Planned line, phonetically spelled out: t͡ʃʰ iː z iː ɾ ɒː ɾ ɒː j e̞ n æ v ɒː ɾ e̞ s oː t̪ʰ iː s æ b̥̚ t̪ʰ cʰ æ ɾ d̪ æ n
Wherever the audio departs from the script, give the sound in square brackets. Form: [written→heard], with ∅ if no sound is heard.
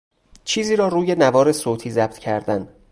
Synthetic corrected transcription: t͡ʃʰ iː z iː ɾ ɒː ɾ [ɒː→uː] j e̞ n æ v ɒː ɾ e̞ s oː t̪ʰ iː [s→z] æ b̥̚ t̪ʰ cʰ æ ɾ d̪ æ n